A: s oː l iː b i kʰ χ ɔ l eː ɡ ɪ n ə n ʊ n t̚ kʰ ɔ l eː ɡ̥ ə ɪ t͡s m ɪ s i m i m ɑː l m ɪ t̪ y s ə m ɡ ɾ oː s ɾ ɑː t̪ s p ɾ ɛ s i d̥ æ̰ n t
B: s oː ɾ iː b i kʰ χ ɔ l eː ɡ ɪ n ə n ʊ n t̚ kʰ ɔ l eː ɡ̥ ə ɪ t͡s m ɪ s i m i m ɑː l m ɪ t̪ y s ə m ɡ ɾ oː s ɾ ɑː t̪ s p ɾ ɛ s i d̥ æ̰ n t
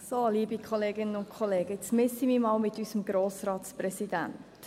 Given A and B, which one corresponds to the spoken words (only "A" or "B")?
A